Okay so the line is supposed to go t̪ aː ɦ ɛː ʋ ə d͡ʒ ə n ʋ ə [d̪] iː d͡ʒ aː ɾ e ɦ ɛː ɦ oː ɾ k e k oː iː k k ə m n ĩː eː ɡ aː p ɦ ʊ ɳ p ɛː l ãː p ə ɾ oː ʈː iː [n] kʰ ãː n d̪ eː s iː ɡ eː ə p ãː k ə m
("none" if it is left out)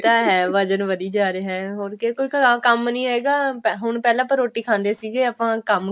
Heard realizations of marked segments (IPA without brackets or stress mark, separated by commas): d̪, none